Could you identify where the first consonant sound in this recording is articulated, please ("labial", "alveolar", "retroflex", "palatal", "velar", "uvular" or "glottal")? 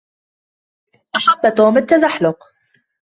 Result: glottal